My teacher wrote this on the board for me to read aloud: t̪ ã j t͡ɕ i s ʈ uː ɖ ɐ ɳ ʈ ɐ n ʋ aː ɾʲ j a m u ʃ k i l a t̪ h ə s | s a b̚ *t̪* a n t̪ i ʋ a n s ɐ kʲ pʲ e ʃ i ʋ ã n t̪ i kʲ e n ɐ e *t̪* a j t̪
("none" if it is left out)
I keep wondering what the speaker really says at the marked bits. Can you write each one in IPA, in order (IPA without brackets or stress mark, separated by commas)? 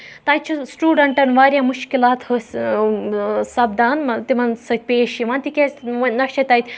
d̪, t̪